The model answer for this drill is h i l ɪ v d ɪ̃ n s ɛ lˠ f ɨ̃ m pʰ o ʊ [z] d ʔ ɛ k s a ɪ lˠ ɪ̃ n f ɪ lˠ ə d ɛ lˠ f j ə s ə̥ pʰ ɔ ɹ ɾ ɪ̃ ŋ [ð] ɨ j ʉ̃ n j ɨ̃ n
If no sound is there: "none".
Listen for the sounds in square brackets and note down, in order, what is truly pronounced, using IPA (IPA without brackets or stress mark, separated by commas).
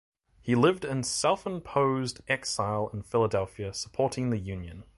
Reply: z, ð